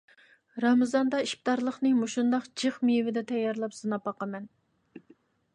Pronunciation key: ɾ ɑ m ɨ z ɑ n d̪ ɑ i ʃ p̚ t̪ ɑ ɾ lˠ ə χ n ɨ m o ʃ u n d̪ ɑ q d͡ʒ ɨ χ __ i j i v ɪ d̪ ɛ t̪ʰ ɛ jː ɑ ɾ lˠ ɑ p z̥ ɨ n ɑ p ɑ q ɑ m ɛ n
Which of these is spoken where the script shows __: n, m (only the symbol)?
m